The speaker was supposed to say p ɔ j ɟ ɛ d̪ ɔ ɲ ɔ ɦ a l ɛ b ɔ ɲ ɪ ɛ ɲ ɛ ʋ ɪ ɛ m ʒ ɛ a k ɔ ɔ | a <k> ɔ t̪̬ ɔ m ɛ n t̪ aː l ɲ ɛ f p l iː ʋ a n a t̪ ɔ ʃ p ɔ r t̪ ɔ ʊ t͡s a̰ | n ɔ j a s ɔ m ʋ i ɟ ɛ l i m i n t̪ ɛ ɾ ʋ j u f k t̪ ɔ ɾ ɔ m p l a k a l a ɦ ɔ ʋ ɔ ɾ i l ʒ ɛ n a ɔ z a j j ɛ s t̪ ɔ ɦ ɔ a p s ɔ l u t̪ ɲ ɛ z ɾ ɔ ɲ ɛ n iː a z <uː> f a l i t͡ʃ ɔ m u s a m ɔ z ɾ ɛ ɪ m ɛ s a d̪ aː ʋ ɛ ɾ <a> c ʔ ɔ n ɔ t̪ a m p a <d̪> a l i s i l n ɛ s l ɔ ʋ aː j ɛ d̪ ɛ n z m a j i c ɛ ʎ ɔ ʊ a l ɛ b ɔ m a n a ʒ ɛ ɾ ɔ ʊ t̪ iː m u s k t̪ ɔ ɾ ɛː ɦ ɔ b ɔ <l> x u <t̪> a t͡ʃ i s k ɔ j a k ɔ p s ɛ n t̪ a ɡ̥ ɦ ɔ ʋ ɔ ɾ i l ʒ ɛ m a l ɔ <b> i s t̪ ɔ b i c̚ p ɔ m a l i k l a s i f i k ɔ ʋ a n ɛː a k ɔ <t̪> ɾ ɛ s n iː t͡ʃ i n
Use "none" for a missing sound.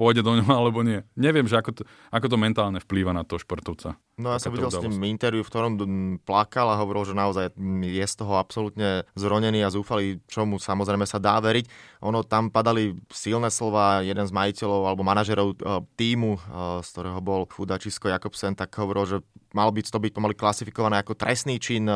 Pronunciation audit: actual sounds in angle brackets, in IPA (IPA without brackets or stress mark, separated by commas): k, uː, i, d̪, l, d̪, b, t̪